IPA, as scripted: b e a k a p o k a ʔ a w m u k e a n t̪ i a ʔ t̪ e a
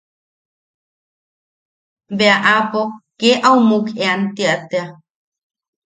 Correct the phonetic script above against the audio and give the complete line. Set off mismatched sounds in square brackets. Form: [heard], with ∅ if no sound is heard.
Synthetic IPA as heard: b e a [ʔ] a p o k [e] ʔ a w m u k e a n t̪ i a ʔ t̪ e a